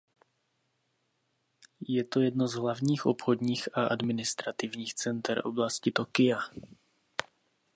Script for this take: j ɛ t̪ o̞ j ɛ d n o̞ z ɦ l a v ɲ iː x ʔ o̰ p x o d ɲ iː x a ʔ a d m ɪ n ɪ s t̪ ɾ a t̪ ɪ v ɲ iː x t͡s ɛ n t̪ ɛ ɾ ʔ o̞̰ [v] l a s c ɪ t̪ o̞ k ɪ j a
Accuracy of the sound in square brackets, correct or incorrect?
incorrect